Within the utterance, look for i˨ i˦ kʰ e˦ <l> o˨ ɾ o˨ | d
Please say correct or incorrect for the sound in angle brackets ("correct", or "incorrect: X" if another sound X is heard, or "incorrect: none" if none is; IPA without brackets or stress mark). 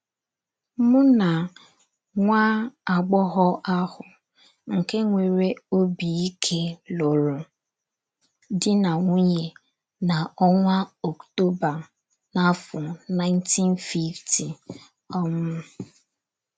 correct